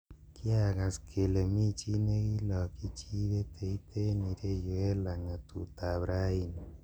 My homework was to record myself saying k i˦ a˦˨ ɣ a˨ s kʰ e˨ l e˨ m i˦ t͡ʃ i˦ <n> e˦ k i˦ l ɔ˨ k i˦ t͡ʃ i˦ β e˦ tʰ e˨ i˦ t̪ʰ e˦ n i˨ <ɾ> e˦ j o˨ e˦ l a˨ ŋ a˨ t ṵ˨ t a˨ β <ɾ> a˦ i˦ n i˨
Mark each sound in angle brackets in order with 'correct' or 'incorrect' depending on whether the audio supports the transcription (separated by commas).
correct, correct, correct